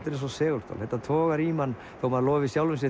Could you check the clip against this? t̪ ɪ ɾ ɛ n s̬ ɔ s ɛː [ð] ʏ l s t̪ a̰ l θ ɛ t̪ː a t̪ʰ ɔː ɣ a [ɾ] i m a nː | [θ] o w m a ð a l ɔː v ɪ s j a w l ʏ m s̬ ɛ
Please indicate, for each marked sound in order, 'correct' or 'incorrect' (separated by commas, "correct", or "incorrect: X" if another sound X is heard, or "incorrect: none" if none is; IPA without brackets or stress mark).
incorrect: ɣ, correct, correct